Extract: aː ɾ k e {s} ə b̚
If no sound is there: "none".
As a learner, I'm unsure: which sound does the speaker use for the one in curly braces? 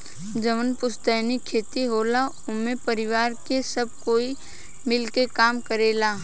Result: s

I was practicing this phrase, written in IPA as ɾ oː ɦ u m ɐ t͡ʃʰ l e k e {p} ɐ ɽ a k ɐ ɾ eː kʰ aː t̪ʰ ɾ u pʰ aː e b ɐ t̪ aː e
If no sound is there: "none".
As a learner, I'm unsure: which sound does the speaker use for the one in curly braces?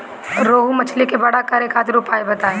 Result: b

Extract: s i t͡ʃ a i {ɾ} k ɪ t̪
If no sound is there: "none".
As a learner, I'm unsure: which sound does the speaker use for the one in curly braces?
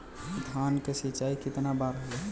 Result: none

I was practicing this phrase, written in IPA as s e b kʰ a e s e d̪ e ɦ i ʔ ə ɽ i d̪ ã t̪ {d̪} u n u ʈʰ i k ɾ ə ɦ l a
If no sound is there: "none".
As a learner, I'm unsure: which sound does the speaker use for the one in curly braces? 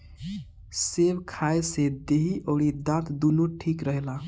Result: d̪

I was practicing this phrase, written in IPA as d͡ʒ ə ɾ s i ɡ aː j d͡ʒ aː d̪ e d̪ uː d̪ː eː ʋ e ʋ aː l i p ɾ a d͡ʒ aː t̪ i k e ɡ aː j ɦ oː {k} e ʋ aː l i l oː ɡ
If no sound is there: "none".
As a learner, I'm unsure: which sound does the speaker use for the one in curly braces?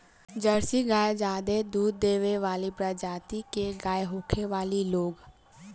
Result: kʰ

